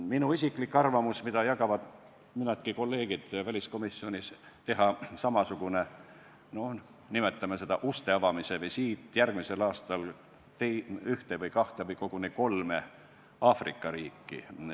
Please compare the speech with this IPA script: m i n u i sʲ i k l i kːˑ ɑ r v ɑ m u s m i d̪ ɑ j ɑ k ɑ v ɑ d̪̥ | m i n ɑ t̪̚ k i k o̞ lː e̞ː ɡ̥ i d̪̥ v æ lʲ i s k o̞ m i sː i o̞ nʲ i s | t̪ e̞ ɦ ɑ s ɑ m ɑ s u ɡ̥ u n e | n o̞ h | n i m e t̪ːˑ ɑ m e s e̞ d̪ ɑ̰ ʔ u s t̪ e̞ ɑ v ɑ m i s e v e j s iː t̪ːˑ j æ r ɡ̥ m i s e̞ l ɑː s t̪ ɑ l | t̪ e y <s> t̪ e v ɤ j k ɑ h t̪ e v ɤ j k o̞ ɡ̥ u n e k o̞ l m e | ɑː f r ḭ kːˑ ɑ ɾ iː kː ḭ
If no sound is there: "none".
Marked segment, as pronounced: h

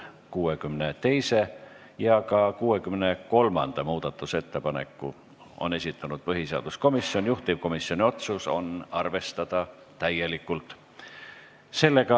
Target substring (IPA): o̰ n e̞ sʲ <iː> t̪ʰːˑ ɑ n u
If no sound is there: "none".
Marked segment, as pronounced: i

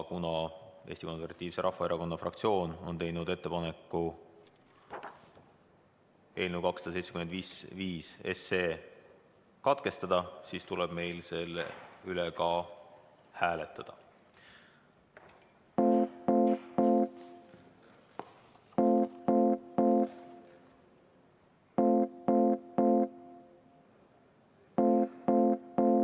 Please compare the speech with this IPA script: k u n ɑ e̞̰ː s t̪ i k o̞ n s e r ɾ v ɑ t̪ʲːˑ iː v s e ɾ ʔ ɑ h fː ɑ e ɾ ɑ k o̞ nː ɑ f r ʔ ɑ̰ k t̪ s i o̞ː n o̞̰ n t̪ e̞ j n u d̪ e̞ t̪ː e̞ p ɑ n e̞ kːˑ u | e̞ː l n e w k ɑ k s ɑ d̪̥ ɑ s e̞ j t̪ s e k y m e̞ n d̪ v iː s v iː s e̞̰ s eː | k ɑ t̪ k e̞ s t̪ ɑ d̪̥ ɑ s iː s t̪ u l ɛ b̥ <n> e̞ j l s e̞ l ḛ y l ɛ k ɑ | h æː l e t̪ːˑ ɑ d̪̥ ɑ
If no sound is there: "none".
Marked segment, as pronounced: m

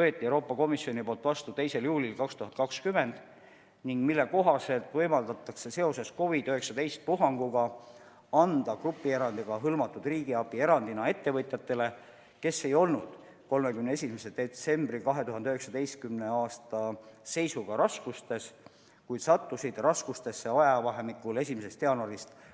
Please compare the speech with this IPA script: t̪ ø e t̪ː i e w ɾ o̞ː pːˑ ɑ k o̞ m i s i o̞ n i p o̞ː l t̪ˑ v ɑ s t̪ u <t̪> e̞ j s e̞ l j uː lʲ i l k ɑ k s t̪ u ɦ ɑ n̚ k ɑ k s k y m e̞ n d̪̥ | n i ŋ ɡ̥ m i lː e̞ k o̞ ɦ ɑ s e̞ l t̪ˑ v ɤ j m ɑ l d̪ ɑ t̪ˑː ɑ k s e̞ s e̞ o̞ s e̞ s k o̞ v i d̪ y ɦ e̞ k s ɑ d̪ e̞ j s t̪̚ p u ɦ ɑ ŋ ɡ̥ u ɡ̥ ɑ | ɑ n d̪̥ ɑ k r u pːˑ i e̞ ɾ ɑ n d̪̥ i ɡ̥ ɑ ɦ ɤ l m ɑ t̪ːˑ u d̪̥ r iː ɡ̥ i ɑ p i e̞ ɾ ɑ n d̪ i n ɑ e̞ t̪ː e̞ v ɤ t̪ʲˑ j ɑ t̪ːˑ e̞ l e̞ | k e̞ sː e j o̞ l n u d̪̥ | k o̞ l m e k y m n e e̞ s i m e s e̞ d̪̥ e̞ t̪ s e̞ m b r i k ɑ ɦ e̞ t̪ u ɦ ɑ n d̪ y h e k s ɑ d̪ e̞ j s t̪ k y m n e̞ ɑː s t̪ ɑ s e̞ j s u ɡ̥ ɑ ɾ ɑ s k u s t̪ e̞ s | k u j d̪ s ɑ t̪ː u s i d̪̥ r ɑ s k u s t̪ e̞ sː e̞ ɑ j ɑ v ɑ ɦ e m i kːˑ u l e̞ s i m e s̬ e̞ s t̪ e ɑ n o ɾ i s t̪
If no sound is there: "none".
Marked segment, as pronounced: t̪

